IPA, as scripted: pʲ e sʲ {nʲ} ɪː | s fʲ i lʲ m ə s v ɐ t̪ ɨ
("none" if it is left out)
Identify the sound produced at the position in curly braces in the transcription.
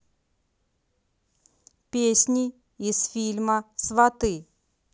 nʲ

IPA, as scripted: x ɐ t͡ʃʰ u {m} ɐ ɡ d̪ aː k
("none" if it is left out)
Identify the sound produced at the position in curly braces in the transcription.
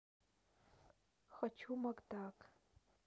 m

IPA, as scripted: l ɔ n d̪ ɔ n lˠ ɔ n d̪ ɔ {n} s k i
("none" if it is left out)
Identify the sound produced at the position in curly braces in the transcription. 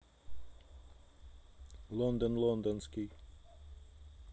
n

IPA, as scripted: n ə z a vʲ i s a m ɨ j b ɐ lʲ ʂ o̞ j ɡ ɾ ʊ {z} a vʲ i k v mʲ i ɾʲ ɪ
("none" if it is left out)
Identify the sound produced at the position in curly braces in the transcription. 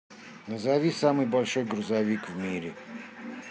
z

